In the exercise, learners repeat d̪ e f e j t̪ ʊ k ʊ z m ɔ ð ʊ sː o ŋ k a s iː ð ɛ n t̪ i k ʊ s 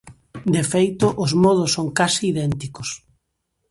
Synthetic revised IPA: d̪ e f e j t̪ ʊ ʔ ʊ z m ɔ ð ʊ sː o ŋ k a s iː ð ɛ n t̪ i k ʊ s